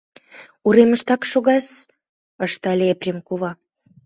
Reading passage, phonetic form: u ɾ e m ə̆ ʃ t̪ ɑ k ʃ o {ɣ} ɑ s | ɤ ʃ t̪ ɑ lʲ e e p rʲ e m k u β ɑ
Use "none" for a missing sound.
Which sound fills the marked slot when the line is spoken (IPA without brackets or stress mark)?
ɣ